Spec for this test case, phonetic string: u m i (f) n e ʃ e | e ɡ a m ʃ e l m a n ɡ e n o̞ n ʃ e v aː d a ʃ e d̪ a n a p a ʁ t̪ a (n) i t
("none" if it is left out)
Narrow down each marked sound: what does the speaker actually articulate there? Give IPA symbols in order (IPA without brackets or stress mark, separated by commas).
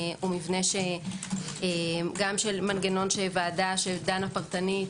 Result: v, n